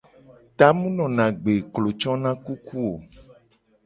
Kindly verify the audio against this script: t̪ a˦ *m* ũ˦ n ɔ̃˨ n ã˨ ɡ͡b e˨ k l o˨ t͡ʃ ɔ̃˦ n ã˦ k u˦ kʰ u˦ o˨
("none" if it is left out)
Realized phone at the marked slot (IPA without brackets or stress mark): m